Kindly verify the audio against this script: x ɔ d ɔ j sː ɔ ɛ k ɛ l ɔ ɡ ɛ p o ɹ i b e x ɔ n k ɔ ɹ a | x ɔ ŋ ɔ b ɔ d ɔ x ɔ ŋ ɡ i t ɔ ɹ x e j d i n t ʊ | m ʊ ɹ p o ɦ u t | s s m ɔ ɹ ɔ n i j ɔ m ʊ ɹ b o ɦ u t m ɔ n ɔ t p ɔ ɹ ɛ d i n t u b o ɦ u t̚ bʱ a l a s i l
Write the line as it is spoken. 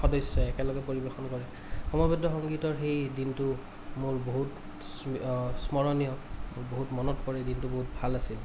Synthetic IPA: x ɔ d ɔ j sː ɔ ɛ k ɛ l ɔ ɡ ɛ p o ɹ i b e x ɔ n k ɔ ɹ ɛ | x ɔ m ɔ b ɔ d ɔ x ɔ ŋ ɡ i t ɔ ɹ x e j d i n t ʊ | m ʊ ɹ b o ɦ u t | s s m ɔ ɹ ɔ n i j ɔ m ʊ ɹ b o ɦ u t m ɔ n ɔ t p ɔ ɹ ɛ d i n t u b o ɦ u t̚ bʱ a l a s i l